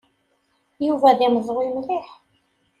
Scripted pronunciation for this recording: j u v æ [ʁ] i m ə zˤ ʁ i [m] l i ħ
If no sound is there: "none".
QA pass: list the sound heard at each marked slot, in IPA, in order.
ð, m

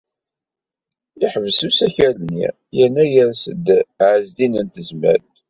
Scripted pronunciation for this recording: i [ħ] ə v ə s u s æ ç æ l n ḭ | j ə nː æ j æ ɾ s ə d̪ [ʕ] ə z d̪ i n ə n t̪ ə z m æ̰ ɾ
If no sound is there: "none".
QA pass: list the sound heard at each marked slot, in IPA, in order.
ħ, ʕ

